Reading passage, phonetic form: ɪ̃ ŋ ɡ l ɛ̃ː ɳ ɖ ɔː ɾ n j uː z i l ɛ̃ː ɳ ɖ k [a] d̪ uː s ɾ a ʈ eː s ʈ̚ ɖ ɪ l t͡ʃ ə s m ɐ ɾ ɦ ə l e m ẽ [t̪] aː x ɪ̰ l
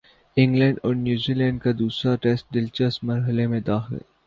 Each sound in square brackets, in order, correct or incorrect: correct, incorrect

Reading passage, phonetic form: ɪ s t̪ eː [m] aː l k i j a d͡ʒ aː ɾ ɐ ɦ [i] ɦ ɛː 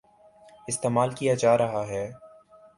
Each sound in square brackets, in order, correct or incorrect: correct, incorrect

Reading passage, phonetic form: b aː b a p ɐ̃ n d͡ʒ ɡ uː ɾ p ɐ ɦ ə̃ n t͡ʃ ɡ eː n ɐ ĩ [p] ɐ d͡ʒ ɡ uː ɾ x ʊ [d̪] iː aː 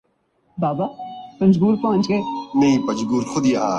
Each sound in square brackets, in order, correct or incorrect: correct, correct

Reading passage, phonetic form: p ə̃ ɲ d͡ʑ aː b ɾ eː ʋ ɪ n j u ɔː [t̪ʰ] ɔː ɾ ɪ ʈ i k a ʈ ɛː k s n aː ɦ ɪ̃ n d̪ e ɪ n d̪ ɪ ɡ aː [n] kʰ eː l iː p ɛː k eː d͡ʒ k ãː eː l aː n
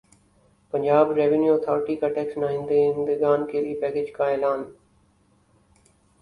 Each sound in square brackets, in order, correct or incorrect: correct, correct

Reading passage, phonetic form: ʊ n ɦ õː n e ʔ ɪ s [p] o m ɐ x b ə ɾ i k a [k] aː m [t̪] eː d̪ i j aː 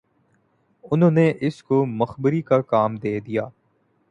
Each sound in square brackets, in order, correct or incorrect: incorrect, correct, incorrect

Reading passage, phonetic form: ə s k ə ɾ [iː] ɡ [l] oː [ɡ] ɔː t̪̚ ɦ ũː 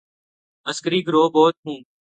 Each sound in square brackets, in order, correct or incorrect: correct, incorrect, incorrect

